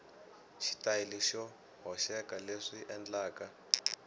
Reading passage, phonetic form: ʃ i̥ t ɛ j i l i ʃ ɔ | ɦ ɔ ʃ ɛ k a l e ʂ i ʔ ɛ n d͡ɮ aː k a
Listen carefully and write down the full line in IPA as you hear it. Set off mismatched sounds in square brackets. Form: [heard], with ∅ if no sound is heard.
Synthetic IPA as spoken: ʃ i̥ t [a] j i l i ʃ ɔ | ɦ ɔ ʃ ɛ k a l e ʂ i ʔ ɛ n d͡ɮ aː k a